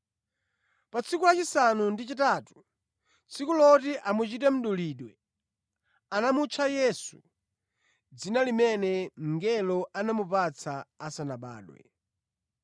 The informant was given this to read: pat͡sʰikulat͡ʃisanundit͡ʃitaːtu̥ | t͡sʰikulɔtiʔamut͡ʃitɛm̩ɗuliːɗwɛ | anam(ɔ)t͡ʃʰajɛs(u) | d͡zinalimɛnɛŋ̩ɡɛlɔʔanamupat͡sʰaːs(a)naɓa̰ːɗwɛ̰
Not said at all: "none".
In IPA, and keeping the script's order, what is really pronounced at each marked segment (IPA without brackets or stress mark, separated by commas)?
u, u, a